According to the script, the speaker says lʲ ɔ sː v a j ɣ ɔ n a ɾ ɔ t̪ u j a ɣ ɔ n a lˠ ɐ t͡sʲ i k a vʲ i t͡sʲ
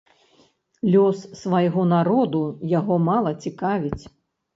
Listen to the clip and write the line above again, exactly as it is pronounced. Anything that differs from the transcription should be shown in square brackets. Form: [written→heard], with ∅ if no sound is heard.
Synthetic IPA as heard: lʲ ɔ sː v a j ɣ ɔ n a ɾ ɔ [t̪→d̪] u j a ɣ ɔ [n→m] a lˠ ɐ t͡sʲ i k a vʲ i t͡sʲ